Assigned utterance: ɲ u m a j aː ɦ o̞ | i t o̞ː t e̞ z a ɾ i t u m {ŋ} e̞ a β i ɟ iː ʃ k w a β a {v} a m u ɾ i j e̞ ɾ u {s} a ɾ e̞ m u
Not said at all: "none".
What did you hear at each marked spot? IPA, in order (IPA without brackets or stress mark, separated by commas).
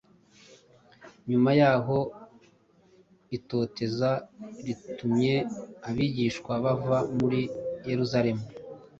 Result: ɲ, v, z